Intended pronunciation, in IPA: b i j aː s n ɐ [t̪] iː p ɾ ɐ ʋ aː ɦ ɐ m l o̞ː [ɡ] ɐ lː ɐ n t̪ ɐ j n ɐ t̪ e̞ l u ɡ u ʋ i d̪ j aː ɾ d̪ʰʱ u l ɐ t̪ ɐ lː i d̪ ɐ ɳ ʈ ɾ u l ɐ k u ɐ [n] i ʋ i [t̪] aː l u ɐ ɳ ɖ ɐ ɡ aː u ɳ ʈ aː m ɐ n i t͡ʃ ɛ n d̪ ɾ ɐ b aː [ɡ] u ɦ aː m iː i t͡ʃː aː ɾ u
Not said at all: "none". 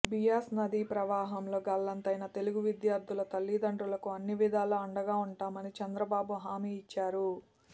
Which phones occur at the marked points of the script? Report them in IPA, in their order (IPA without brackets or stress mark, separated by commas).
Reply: d̪, ɡ, nː, d̪, b